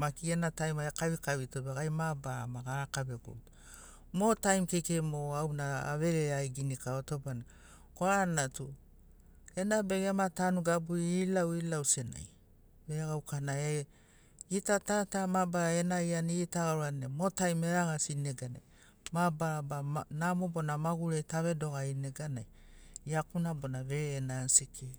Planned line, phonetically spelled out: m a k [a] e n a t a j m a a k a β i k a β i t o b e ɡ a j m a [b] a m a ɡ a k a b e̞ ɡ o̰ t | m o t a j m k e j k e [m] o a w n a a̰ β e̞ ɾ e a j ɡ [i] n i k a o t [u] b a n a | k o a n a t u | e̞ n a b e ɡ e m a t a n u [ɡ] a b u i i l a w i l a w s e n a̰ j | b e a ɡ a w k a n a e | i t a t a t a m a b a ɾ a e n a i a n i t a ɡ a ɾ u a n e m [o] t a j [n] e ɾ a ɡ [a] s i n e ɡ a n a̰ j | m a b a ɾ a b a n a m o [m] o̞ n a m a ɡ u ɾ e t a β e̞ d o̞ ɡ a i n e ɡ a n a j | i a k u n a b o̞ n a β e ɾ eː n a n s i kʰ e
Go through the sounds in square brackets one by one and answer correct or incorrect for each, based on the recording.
incorrect: i, correct, correct, correct, incorrect: o, correct, correct, incorrect: m, correct, incorrect: b

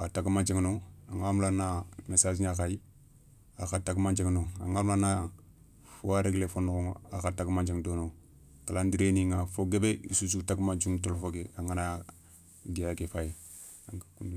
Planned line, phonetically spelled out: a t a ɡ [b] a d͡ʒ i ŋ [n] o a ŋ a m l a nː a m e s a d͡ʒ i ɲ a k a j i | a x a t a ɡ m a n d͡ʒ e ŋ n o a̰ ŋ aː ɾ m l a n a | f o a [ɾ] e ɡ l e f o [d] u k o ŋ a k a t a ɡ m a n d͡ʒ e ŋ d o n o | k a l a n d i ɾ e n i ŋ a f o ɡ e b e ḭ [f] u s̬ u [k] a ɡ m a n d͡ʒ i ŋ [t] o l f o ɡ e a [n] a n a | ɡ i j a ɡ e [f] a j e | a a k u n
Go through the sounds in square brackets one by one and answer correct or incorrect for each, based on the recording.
incorrect: m, correct, correct, incorrect: n, incorrect: s, incorrect: t, correct, incorrect: ŋ, correct

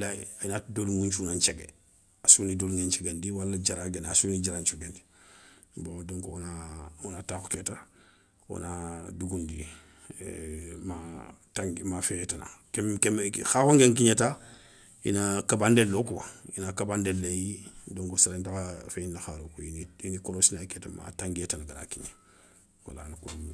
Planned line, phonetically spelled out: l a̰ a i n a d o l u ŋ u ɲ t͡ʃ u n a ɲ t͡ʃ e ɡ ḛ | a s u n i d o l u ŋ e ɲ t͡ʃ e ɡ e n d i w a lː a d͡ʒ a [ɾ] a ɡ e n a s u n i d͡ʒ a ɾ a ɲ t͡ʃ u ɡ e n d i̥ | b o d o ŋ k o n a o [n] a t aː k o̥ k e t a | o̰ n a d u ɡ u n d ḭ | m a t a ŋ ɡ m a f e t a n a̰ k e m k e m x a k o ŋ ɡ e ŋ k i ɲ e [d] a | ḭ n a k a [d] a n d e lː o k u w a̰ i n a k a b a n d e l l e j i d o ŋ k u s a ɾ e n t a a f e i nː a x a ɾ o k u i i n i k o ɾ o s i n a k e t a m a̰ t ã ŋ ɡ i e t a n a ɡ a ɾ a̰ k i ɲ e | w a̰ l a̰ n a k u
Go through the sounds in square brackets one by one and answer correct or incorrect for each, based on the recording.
correct, correct, incorrect: t, incorrect: b

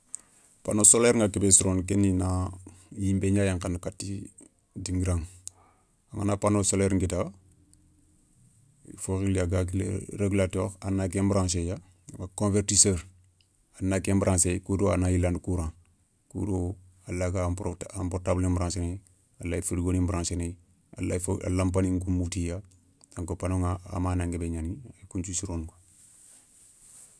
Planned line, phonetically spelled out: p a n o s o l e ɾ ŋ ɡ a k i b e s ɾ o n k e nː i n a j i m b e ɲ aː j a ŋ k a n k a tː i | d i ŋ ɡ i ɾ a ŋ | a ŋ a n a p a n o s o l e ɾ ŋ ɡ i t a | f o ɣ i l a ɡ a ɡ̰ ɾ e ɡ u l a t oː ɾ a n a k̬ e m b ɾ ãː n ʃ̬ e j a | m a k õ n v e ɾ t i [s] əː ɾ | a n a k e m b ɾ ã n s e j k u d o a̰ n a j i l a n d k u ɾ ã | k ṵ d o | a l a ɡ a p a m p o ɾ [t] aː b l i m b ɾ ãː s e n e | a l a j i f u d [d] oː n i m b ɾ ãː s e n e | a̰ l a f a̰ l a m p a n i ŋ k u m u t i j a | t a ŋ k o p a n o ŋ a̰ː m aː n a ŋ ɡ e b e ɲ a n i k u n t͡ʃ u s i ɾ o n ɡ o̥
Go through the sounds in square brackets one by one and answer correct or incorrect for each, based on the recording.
correct, correct, incorrect: ɡ

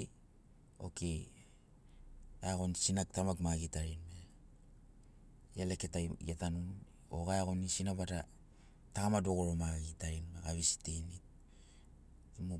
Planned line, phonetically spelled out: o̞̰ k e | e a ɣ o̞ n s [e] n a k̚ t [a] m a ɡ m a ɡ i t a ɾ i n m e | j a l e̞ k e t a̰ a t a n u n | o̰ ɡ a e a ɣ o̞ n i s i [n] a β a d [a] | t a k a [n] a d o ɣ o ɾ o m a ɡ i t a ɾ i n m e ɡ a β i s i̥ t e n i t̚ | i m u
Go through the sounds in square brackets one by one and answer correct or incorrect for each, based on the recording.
incorrect: i, correct, correct, correct, incorrect: m

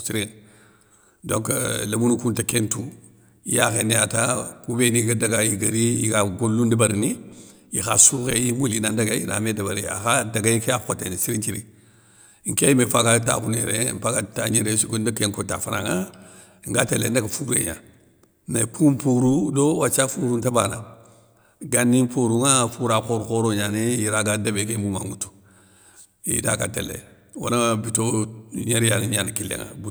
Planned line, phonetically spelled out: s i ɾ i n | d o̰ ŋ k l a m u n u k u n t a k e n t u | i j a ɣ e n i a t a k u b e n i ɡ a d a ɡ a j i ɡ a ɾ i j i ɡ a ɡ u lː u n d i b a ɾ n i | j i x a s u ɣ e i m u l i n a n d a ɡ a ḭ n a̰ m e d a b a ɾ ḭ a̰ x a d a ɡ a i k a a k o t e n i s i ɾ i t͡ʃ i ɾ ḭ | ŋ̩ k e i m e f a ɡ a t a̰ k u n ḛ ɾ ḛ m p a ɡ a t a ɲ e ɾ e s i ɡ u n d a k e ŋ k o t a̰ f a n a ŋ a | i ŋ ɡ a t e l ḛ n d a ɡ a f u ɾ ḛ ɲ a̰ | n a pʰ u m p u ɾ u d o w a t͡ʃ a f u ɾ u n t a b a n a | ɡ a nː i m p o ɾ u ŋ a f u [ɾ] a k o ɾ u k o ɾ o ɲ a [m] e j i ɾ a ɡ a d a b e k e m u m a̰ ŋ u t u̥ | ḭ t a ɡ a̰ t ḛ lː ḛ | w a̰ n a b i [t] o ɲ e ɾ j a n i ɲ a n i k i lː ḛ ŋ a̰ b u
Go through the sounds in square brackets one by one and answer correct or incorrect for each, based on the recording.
correct, incorrect: n, correct

